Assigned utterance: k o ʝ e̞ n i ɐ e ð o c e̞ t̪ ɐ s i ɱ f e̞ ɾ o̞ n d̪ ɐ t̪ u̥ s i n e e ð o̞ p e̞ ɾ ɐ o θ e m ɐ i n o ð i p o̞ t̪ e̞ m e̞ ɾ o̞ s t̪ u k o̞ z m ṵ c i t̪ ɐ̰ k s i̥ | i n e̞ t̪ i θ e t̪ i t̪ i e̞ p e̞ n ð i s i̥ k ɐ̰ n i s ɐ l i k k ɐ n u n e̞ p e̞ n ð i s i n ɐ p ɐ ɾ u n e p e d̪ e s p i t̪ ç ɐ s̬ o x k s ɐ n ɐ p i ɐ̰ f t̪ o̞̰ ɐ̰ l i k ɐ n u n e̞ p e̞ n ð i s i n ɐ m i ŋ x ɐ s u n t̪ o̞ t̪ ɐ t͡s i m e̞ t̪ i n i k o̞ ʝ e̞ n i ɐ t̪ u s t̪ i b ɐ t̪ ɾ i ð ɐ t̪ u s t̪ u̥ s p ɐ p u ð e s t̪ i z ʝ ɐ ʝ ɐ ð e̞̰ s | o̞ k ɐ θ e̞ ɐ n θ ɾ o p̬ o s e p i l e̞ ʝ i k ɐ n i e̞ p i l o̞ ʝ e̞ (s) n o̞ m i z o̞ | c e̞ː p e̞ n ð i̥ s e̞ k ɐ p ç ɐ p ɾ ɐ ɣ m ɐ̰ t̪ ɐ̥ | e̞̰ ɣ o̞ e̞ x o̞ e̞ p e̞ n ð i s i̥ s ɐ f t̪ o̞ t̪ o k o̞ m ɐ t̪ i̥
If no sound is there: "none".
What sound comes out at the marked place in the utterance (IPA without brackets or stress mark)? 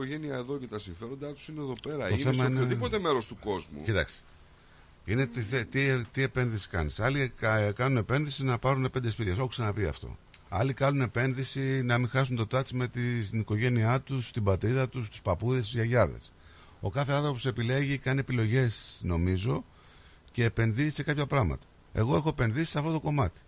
s